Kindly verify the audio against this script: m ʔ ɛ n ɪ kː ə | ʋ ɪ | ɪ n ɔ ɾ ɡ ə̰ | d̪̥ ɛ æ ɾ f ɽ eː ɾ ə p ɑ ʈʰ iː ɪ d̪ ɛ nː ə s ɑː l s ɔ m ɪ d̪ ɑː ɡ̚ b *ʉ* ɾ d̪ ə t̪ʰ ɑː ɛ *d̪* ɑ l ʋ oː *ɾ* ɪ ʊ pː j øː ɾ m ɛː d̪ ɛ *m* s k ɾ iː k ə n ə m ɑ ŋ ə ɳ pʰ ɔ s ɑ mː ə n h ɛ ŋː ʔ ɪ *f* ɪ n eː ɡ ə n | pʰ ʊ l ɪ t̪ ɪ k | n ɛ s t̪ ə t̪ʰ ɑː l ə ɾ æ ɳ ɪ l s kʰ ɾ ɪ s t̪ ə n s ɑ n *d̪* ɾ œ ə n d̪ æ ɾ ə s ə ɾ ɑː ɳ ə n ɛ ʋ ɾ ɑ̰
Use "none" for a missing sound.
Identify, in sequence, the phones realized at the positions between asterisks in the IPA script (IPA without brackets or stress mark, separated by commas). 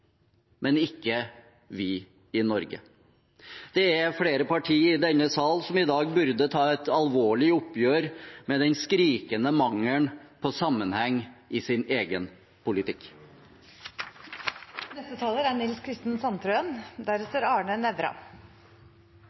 ʉ, t̪, ɭ, n, s, t̪